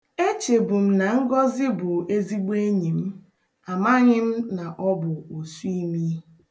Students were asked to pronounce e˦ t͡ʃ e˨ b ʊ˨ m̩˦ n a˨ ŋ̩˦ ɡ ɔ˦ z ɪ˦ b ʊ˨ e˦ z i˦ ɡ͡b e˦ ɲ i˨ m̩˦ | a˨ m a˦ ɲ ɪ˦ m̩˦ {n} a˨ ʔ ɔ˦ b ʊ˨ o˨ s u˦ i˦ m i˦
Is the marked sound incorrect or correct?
correct